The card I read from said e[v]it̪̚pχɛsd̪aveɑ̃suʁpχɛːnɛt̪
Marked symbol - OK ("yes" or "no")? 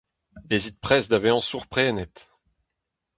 no